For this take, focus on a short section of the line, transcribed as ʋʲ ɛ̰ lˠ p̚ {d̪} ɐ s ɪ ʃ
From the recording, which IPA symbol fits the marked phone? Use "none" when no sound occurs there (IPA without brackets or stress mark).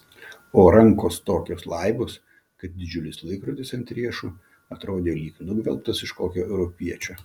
t̪